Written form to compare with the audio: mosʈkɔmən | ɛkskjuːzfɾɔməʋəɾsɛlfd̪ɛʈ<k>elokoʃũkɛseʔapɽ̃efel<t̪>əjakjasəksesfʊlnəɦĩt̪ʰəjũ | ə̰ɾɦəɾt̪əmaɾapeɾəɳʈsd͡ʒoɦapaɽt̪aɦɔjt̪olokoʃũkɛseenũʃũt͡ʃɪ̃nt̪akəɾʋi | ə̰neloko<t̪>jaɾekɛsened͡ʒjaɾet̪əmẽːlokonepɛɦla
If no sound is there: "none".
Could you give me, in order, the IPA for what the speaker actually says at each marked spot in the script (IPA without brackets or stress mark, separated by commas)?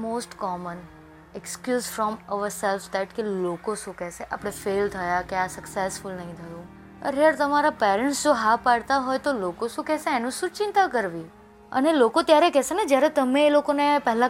k, t̪ʰ, t̪